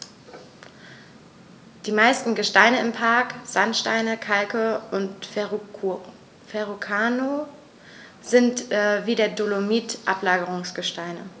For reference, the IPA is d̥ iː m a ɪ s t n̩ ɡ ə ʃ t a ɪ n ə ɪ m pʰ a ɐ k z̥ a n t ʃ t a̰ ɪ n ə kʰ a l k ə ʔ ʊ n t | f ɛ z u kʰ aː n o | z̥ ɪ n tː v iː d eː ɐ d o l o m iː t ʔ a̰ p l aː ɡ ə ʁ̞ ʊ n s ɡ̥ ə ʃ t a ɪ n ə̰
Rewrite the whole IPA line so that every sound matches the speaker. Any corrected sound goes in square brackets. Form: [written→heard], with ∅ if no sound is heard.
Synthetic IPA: d̥ iː m a ɪ s t n̩ ɡ ə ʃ t a ɪ n ə ɪ m pʰ a ɐ k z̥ a n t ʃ t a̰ ɪ n ə kʰ a l k ə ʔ ʊ n t | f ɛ [z→ʁ] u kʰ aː n o | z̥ ɪ n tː v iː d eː ɐ d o l o m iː t ʔ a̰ p l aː ɡ ə ʁ̞ ʊ [n→ŋ] s ɡ̥ ə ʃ t a ɪ n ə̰